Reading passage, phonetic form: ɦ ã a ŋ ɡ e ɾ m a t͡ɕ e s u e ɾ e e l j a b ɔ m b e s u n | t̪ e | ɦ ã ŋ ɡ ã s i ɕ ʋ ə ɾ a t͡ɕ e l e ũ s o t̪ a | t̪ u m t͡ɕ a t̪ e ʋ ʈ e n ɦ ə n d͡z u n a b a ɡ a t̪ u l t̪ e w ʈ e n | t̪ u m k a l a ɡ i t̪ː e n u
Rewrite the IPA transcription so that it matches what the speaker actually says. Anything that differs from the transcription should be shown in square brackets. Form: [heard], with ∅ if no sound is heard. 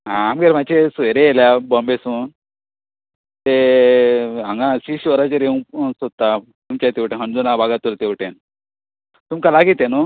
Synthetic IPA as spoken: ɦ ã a [m] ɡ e ɾ m a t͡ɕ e s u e ɾ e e l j a b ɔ m b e s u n | t̪ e | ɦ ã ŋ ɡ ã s i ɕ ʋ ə ɾ a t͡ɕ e [ɾ] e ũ s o t̪ a | t̪ u m t͡ɕ a t̪ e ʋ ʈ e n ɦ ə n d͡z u n a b a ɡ a t̪ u l t̪ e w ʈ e n | t̪ u m k a l a ɡ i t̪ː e n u